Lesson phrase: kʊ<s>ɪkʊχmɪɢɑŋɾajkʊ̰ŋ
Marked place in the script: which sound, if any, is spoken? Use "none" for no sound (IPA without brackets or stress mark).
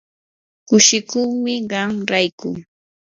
ʃ